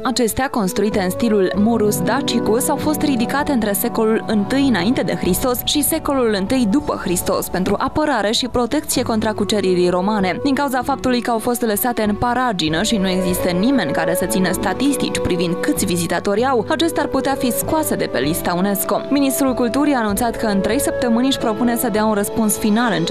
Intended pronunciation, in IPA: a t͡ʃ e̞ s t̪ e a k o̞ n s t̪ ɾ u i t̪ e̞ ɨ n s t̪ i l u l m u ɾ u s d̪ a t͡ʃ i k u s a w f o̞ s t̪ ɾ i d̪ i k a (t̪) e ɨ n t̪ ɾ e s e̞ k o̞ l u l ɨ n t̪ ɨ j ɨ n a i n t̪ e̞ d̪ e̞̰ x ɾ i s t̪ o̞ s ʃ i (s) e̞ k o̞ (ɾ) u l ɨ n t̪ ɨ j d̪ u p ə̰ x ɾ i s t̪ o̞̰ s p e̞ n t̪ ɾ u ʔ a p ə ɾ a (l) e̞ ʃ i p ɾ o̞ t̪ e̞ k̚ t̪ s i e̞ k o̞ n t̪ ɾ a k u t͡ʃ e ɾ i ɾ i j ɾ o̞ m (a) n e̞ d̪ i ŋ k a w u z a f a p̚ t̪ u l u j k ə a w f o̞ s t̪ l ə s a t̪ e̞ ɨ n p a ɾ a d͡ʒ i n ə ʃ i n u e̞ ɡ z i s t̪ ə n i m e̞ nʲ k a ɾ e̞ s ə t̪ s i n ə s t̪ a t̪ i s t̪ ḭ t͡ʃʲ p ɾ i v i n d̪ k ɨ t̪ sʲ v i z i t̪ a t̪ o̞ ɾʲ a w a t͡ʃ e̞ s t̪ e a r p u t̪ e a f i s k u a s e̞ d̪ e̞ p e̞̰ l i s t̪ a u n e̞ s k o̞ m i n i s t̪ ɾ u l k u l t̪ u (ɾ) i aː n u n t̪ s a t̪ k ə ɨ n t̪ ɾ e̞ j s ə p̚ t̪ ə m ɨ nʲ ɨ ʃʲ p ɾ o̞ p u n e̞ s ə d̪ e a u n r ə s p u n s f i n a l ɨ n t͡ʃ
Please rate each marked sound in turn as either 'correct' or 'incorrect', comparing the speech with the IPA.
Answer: correct, correct, incorrect, incorrect, correct, correct

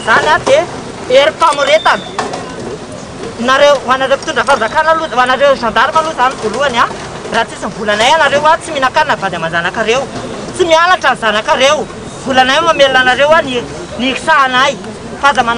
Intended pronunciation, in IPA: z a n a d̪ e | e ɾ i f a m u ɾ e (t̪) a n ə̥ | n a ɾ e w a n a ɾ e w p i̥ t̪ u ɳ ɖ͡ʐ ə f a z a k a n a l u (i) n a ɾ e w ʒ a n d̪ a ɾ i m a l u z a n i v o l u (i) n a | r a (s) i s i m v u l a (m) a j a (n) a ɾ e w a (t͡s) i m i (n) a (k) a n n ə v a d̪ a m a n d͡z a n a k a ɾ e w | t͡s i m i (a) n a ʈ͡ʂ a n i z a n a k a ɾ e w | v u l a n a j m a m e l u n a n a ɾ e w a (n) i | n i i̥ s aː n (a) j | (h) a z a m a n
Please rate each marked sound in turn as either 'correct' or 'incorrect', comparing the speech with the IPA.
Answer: correct, incorrect, incorrect, incorrect, incorrect, correct, correct, correct, correct, correct, correct, correct, incorrect

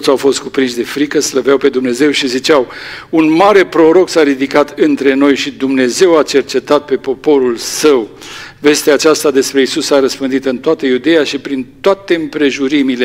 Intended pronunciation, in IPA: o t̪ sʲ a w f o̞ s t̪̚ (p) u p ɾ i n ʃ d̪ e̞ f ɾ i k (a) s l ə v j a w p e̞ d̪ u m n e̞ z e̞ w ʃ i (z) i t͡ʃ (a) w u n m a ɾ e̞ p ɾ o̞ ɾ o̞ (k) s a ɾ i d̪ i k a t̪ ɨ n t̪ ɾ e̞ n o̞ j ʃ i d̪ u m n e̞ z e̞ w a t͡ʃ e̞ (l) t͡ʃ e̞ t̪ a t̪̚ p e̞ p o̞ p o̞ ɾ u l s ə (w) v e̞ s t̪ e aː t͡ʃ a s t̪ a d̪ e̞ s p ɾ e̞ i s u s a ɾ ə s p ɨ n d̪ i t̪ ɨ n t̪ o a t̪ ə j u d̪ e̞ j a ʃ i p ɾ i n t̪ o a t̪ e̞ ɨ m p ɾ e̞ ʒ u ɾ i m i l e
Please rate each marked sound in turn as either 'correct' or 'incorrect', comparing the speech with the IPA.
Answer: incorrect, incorrect, correct, correct, correct, incorrect, correct

